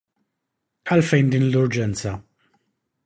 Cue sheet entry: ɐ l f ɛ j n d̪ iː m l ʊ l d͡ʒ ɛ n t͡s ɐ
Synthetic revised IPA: ɐ l f ɛ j n d̪ iː n l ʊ ɾ d͡ʒ ɛ n t͡s ɐ

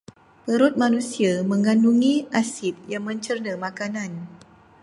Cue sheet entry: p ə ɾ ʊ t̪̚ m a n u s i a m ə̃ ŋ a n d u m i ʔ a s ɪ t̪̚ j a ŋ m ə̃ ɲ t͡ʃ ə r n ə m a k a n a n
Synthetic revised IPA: p ə ɾ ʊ t̪̚ m a n u s i a m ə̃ ŋ a n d u ŋ i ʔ a s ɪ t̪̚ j a ŋ m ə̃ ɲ t͡ʃ ə r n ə m a k a n a n

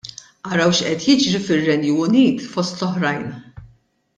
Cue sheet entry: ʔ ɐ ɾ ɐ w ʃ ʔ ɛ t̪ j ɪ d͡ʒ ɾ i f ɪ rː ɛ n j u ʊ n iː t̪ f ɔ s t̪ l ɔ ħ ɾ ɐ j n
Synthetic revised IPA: ʔ ɐ ɾ ɐ w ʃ ʔ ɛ t̪ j ɪ d͡ʒ ɾ i f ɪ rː ɛ n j u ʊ n iː t̪ f ɔ s t̪ l ɔ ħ ɾ ɐ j n

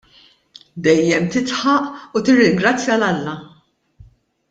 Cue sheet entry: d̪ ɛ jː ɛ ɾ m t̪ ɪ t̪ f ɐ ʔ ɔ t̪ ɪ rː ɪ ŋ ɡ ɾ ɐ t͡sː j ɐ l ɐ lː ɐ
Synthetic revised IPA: d̪ ɛ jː ɛ m t̪ ɪ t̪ ħ ɐ ʔ u t̪ ɪ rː ɪ ŋ ɡ ɾ ɐ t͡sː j ɐ l ɐ lː ɐ

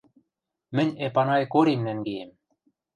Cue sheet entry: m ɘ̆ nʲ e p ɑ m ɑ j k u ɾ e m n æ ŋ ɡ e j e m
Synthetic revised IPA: m ɘ̆ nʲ e p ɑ n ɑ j k o ɾ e m n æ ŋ ɡ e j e m

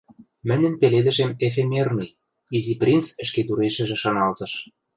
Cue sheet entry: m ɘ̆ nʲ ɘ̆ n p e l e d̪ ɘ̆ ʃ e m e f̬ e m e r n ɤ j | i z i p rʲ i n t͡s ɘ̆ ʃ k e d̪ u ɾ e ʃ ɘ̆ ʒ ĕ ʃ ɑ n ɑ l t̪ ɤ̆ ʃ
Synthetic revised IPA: m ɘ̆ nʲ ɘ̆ n p e l e d̪ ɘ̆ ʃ e m e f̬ e m e r n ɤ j | i z i p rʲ i n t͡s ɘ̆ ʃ k e t̪ u ɾ e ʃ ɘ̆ ʒ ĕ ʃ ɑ n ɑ l t̪ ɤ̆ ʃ

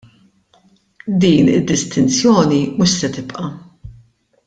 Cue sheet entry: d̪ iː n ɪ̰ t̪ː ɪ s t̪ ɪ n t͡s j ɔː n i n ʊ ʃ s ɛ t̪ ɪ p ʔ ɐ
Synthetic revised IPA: d̪ iː n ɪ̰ d̪ː ɪ s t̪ ɪ n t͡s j ɔː n i m ʊ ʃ s ɛ t̪ ɪ p ʔ ɐ

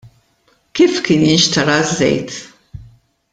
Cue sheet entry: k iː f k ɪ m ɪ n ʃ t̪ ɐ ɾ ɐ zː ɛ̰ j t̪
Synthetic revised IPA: k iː f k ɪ n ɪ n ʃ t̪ ɐ ɾ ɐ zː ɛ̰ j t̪

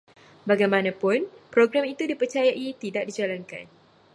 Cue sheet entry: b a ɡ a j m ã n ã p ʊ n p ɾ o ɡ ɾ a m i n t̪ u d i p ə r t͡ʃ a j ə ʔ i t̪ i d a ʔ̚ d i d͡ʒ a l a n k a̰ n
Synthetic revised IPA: b a ɡ a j m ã n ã p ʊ n p ɾ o ɡ ɾ a m i t̪ u d i p ə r t͡ʃ a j a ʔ i t̪ i d a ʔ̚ d i d͡ʒ a l a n k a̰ n

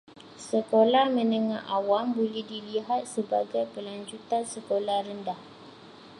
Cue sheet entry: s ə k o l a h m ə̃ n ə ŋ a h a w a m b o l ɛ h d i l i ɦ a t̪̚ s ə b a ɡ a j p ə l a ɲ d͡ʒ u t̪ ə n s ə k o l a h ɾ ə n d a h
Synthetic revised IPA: s ə k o l a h m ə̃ n ə ŋ a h a w a m b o l ɛ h d i l i ɦ a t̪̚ s ə b a ɡ a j p ə l a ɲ d͡ʒ u t̪ a n s ə k o l a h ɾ ə n d a h

